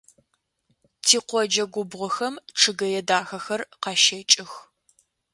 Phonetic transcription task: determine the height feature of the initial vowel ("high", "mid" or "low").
high